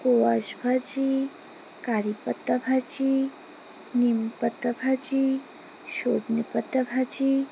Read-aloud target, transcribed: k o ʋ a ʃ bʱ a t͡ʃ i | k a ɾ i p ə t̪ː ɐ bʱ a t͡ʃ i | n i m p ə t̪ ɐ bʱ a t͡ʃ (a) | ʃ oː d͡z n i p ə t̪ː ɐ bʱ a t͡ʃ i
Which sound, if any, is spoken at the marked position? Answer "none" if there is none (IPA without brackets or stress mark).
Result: i